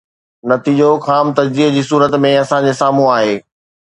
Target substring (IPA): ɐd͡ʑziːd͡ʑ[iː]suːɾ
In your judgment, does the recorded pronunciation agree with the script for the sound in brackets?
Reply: yes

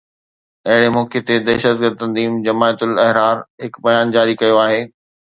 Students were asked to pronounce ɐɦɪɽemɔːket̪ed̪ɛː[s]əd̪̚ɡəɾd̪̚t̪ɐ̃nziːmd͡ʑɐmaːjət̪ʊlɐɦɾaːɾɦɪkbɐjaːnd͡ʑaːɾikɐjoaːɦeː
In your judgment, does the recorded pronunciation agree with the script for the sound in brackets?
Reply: no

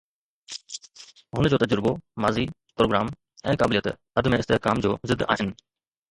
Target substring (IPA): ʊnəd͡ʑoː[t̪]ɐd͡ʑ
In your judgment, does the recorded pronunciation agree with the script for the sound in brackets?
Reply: yes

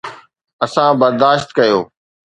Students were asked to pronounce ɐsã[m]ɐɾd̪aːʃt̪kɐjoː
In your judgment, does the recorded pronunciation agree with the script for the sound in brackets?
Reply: no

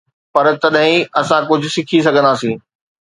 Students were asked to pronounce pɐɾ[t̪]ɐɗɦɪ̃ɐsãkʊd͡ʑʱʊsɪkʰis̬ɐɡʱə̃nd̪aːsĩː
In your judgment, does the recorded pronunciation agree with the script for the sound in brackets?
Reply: yes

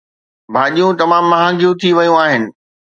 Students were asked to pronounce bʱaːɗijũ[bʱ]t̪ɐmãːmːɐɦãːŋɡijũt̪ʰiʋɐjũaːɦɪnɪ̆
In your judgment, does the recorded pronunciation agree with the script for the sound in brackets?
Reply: no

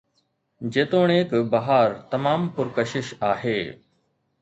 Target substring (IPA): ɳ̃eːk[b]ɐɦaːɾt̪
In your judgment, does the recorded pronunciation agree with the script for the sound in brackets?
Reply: yes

